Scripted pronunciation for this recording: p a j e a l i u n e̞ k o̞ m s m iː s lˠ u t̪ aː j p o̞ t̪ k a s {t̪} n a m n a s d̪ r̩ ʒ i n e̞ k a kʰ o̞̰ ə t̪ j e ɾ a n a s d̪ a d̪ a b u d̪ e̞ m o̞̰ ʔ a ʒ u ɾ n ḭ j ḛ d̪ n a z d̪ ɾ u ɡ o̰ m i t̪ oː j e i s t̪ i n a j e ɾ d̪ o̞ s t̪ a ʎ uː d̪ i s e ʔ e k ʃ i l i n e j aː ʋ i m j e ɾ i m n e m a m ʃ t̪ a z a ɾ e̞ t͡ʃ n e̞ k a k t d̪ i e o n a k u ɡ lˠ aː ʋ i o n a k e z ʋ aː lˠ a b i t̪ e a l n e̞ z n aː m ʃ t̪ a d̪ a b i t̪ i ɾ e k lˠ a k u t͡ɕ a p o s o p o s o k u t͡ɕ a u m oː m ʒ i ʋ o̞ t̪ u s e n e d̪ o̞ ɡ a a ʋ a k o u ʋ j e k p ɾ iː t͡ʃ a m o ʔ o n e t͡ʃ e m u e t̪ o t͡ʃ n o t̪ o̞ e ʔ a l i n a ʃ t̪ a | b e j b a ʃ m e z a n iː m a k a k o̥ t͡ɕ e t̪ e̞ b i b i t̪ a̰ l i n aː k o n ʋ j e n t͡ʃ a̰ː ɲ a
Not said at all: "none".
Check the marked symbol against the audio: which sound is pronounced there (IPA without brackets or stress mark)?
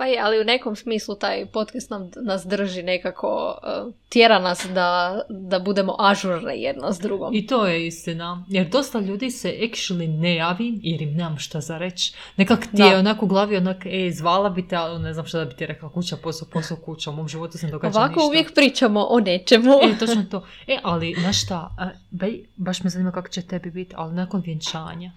t̪